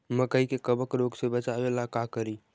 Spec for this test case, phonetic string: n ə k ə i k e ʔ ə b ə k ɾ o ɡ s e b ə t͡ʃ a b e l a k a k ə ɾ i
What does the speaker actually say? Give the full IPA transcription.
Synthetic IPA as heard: m ə k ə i k e k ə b ə k ɾ o ɡ s e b ə t͡ʃ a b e l a k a k ə ɾ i

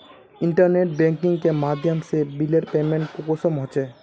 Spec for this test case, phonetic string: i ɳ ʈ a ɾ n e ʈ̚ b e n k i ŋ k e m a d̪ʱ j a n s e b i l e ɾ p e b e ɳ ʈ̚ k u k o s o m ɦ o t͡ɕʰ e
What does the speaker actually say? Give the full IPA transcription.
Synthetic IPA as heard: i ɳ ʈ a ɾ n e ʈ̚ b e ŋ k i ŋ k e m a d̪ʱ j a m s e b i l e ɾ p e m e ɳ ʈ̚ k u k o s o m ɦ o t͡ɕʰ e

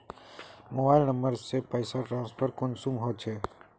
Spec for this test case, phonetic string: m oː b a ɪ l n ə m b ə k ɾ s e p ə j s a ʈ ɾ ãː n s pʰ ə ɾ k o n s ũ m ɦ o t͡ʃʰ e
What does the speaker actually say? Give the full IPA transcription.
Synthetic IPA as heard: m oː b a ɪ l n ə m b ə ɾ s e p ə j s a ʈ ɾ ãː n s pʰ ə ɾ k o n s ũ m ɦ o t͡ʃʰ e

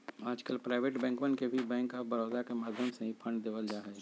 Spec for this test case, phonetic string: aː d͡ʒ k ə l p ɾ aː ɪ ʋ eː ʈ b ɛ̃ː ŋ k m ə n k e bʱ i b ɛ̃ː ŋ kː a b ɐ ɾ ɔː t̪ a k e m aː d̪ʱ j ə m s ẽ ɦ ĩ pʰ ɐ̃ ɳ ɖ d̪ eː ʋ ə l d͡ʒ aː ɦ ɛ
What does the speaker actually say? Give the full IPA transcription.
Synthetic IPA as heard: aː d͡ʒ k ə l p ɾ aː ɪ ʋ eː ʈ b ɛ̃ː ŋ k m ə n k e bʱ i b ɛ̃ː ŋ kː a b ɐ ɾ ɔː d̪ a k e m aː d̪ʱ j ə m s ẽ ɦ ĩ pʰ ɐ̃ ɳ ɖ d̪ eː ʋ ə l d͡ʒ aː ɦ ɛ

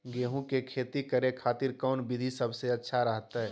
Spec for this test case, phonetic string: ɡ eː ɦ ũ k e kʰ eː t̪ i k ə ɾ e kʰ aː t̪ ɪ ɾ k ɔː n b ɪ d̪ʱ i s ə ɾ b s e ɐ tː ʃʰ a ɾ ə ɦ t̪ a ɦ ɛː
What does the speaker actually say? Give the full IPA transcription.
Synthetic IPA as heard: ɡ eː ɦ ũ k e kʰ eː t̪ i k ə ɾ e kʰ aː t̪ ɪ ɾ k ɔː n b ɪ d̪ʱ i s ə b s e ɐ tː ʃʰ a ɾ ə ɦ t̪ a ɦ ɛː

